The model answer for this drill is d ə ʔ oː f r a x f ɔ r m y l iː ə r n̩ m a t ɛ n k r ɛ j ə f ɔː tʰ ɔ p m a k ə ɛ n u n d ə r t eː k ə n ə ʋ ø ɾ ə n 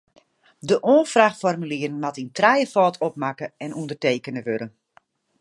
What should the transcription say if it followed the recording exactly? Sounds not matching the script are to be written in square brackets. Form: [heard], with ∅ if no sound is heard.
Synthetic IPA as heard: d ə ʔ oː f r a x f ɔ r m y l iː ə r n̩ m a t [i] n [t] r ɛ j ə f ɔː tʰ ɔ p m a k ə ɛ n u n d ə r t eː k ə n ə ʋ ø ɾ ə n